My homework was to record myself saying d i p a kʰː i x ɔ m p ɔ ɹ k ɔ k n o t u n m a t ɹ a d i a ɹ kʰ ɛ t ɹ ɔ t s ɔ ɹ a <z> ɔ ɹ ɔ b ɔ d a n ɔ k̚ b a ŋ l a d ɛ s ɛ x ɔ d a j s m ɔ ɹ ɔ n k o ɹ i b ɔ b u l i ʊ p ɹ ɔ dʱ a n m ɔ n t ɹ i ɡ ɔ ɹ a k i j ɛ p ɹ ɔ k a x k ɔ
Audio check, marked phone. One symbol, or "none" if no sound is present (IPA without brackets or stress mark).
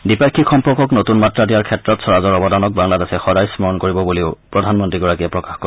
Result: z